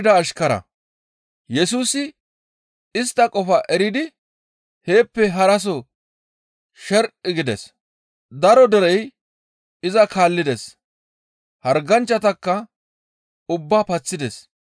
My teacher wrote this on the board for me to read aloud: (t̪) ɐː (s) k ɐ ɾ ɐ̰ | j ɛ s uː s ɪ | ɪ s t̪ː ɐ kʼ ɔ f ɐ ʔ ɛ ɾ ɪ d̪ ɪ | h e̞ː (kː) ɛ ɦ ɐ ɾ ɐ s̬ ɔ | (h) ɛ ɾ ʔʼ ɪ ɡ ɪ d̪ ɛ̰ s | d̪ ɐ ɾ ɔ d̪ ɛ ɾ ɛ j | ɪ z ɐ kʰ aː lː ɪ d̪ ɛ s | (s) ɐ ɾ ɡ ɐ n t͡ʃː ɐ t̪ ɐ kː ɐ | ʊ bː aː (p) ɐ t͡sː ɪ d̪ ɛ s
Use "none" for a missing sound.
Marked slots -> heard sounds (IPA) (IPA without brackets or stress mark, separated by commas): d̪, ʃ, pː, ʃ, h, p